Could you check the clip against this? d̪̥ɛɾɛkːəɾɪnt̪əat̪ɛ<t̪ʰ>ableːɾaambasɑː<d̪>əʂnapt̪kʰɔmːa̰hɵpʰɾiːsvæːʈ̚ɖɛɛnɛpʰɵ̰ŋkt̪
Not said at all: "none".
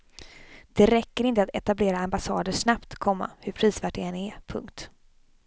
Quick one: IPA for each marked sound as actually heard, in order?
t̪, d̪

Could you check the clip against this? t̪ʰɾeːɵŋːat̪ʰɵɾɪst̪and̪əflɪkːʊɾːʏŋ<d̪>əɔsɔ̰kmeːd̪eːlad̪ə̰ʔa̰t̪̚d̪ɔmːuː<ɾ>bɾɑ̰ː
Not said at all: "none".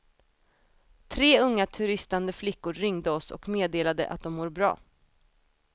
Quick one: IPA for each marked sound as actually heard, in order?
d̪, ɾ

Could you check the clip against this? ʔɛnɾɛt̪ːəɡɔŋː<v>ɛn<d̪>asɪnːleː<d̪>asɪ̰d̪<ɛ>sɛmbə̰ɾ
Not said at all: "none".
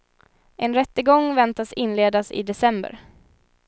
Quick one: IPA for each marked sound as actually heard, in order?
v, t̪, d̪, ɛ

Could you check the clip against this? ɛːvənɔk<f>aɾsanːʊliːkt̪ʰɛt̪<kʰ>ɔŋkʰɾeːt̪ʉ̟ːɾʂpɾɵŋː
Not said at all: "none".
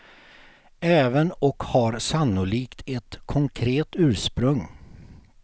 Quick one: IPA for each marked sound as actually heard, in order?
h, kʰ

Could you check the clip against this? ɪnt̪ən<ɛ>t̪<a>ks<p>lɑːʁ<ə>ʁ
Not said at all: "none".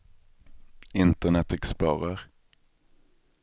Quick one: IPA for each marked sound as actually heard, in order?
ɛ, ɛ, p, ə

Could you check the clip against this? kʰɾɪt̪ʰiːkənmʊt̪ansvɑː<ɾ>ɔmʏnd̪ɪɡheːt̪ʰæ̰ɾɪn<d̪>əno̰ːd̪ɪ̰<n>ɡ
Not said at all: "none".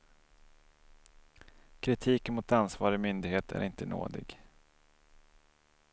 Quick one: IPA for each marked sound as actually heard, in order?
ɾ, t̪, none

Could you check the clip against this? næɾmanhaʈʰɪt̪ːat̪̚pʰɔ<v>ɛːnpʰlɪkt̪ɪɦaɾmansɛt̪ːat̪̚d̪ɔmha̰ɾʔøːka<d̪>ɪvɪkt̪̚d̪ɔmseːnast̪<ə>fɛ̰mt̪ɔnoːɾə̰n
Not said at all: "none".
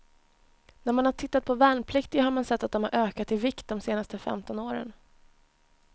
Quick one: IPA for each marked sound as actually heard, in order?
v, t̪, ə

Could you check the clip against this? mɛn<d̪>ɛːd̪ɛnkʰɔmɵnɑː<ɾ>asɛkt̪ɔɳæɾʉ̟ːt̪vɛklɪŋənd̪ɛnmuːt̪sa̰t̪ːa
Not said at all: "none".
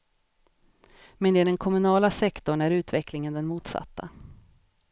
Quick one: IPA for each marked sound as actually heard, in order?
d̪, l

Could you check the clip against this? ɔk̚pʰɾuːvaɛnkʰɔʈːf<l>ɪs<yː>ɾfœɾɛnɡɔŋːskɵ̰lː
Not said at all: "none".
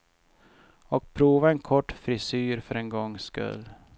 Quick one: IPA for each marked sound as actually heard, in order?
ɾ, yː

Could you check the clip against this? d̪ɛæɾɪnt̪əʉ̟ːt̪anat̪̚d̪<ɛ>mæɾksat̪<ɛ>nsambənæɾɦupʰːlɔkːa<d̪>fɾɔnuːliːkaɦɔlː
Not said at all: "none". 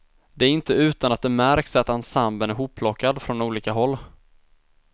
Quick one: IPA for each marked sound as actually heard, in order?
ɛ, a, d̪

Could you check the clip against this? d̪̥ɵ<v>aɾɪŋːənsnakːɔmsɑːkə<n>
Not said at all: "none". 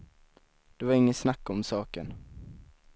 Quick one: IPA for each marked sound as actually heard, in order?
v, n

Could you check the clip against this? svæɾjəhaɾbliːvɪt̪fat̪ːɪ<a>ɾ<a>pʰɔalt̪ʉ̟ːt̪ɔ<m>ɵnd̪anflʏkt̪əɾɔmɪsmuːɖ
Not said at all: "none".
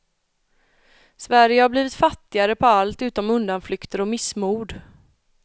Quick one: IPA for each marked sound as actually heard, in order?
a, ə, m

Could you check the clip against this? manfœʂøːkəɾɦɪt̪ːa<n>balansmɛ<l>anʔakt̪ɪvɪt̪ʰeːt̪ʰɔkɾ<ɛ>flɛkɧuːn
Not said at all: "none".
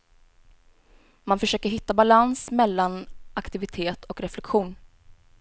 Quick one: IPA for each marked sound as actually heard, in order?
none, lː, ɛ

